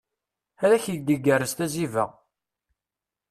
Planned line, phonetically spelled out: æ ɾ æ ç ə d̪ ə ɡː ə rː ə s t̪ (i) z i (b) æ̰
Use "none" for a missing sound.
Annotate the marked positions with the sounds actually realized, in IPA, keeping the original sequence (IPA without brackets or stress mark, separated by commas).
æ, v